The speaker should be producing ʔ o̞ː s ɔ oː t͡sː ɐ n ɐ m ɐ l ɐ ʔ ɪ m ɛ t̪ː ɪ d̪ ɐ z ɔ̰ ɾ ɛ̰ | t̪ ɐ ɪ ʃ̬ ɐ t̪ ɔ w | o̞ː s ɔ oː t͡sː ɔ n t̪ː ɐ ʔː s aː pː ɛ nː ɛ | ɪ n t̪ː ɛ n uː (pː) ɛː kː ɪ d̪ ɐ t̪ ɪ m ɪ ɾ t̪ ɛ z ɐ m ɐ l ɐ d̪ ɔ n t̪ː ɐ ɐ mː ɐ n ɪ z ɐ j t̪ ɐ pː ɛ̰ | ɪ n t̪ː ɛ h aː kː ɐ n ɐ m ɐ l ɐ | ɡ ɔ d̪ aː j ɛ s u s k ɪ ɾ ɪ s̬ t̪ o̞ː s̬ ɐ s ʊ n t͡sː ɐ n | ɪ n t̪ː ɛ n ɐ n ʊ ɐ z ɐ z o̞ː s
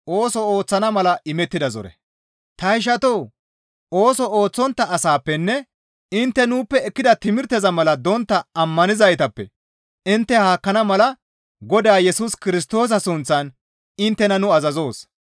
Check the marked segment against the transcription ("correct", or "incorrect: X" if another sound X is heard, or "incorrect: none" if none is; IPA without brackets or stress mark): correct